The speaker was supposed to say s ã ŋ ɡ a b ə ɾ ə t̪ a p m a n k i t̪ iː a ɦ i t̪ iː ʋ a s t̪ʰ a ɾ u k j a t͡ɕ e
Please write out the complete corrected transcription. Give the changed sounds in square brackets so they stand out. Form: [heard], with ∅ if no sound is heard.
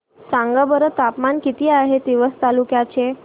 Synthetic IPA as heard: s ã ŋ ɡ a b ə ɾ ə t̪ a p m a n k i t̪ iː a ɦ [e] t̪ [i] ʋ [ə] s [t̪] a [l] u k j a t͡ɕ e